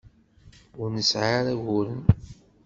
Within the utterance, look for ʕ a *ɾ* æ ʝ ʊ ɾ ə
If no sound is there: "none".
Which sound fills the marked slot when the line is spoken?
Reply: ɾ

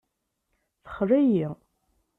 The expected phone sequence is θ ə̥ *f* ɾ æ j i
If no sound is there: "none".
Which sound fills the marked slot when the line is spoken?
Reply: χ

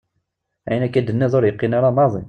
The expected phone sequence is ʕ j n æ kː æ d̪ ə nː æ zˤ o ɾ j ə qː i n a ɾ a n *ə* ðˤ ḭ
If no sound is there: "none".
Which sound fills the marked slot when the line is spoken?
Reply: ɑ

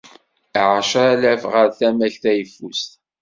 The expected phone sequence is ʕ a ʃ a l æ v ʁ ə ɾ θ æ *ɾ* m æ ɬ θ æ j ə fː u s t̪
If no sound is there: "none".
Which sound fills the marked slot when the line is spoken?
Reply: none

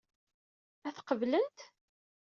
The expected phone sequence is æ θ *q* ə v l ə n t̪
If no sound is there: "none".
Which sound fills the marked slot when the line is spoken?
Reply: q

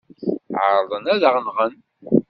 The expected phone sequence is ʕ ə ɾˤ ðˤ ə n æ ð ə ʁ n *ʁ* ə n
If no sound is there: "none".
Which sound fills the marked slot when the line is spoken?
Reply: ʁ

